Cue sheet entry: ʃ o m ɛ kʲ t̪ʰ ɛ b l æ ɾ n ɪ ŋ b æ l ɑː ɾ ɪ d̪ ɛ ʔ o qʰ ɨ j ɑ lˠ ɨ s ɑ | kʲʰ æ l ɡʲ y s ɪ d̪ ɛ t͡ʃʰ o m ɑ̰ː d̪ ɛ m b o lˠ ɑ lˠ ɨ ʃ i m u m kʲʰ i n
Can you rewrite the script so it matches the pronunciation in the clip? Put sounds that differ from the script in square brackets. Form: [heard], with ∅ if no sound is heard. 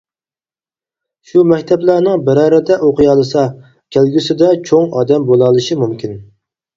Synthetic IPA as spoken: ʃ [u] m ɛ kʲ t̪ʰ ɛ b l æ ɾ n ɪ ŋ b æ [ɾ] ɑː ɾ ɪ d̪ ɛ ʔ o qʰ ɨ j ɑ lˠ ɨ s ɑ | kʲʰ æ l ɡʲ y s ɪ d̪ ɛ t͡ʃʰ o [ŋ] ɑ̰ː d̪ ɛ m b o lˠ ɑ lˠ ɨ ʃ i m u m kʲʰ i n